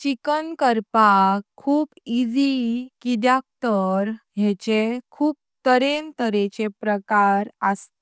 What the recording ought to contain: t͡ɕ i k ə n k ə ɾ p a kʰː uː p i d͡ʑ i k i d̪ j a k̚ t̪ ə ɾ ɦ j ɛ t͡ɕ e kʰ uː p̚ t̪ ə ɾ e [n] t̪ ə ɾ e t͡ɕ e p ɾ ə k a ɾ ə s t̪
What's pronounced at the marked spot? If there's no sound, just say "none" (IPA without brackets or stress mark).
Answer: n